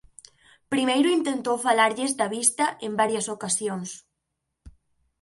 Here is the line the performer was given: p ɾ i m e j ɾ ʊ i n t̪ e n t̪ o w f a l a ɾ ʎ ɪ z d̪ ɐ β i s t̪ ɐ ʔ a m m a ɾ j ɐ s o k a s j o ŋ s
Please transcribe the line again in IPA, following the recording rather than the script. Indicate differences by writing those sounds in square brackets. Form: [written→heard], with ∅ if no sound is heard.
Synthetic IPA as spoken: p ɾ i m e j ɾ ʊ i n t̪ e n t̪ o w f a l a ɾ ʎ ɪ z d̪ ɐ β i s t̪ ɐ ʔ [a→e] m [m→b] a ɾ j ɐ s o k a s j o ŋ s